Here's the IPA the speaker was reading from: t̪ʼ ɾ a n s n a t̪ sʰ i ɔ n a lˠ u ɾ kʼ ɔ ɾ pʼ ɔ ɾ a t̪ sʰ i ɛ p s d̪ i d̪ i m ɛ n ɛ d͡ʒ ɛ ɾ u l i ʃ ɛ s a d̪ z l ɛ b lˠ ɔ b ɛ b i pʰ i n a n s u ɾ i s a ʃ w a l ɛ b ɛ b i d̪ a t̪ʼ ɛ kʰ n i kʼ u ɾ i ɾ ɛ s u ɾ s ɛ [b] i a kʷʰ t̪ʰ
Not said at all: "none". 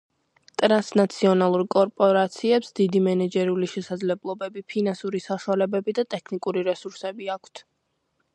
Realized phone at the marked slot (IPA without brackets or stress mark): b